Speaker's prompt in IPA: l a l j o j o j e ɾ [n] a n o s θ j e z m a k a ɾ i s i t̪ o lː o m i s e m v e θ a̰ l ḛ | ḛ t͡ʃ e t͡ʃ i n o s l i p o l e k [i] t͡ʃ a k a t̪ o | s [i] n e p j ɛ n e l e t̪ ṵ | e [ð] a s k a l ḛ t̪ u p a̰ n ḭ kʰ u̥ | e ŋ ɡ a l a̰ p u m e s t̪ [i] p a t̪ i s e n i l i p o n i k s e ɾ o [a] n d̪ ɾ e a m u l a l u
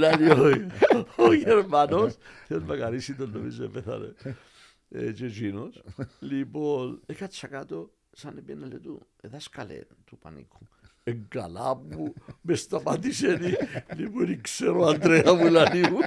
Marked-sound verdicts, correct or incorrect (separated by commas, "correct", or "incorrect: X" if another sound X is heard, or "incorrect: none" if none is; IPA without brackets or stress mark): incorrect: m, incorrect: a, incorrect: a, correct, incorrect: a, correct